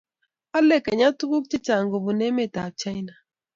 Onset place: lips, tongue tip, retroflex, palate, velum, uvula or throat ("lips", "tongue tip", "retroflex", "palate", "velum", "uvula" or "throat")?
tongue tip